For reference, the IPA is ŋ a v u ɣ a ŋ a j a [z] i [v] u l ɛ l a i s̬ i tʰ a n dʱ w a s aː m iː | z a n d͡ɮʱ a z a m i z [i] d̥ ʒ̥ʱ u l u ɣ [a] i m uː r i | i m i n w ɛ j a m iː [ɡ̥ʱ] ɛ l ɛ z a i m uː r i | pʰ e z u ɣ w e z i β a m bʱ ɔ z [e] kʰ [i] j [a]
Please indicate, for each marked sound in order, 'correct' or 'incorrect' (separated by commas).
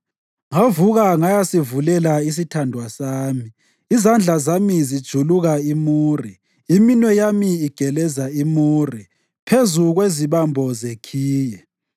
incorrect, correct, correct, correct, correct, correct, incorrect, incorrect